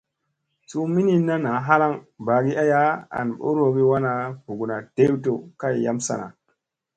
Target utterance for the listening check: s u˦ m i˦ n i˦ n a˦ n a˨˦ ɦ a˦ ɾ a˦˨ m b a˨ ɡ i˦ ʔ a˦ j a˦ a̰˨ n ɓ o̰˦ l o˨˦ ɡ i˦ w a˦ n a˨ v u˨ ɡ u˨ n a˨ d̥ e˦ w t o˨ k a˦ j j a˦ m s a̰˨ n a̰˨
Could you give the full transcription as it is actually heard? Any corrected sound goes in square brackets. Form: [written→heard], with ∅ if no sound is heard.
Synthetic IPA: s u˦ m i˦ n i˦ n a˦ n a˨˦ ɦ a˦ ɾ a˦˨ [m→ŋ] b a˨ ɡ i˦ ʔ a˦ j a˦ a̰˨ n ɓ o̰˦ [l→ɾ] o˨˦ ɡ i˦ w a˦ n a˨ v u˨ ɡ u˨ n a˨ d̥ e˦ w t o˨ k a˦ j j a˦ m s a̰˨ n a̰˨